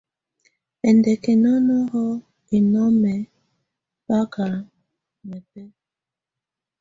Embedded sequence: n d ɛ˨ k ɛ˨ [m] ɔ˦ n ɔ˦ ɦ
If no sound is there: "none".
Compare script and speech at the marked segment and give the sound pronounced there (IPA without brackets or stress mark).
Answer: n